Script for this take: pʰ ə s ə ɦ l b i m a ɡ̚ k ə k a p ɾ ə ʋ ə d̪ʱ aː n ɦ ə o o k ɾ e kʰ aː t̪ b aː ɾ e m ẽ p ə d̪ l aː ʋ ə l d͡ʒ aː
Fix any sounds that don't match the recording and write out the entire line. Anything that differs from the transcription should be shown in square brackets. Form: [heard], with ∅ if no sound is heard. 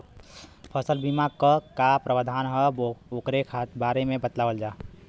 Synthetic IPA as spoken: pʰ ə s ə [∅] l b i m a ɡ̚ k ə k a p ɾ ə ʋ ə d̪ʱ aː n ɦ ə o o k ɾ e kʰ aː t̪ b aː ɾ e m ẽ [b] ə [t̪] l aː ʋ ə l d͡ʒ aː